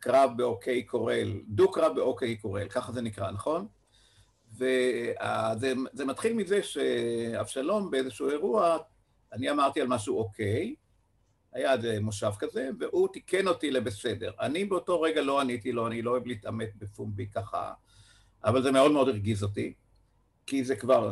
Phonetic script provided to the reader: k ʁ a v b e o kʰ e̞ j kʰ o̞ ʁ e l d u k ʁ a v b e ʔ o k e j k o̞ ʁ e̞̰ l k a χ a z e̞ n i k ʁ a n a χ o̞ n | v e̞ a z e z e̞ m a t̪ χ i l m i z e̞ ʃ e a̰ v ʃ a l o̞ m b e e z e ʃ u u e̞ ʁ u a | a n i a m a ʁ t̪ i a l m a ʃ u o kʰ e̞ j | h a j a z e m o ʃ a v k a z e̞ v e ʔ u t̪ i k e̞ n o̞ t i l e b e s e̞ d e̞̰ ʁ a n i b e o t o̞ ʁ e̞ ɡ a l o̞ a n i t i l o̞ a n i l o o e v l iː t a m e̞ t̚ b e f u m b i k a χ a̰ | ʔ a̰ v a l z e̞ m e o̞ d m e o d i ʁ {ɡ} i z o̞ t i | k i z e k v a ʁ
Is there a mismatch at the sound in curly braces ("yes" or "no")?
no